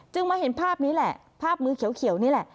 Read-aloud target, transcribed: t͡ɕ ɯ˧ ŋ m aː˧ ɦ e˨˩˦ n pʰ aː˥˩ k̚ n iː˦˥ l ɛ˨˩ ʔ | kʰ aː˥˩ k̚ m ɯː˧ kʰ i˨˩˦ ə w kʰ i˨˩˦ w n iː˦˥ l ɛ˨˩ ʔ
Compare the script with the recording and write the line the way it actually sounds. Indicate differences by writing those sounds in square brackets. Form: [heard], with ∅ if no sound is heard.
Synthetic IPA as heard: t͡ɕ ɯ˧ ŋ m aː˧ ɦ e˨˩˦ n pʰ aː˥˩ [p̚] n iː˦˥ l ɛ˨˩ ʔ | [pʰ] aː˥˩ [p̚] m ɯː˧ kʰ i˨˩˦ ə w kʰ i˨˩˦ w n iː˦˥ l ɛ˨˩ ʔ